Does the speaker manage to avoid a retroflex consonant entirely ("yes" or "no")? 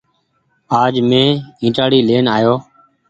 no